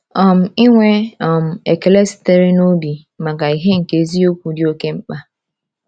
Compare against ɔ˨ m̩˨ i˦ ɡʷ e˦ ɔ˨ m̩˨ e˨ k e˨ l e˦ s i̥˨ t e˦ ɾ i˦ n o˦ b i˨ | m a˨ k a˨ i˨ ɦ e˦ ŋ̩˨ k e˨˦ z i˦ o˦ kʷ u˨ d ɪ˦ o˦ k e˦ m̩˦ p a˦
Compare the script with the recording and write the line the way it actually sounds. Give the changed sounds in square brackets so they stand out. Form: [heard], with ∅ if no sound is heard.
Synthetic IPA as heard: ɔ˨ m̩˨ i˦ [ŋʷ] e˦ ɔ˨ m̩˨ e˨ k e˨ l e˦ s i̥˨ t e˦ ɾ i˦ n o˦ b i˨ | m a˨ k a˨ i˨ ɦ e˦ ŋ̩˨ k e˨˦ z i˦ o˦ kʷ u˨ d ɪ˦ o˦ k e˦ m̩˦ [k͡p] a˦